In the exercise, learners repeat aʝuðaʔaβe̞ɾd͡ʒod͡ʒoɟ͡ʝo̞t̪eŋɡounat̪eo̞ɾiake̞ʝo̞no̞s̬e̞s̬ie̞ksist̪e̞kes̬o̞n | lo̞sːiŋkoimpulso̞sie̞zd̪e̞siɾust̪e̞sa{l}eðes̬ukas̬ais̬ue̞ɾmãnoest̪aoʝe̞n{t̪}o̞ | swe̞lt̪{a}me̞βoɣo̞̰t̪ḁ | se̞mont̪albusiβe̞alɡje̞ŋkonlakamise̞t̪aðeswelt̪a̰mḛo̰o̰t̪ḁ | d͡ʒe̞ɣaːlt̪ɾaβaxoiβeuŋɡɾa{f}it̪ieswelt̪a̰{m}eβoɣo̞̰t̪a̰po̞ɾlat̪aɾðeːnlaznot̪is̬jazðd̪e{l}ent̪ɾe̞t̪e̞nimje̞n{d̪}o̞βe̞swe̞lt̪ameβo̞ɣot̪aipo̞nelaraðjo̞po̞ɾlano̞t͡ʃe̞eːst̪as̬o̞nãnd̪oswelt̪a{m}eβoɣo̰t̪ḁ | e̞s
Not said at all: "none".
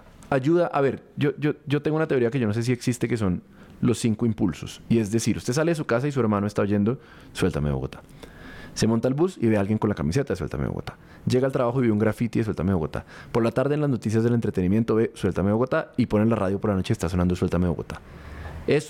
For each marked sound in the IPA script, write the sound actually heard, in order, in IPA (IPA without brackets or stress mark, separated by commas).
l, d̪, a, f, m, l, t̪, m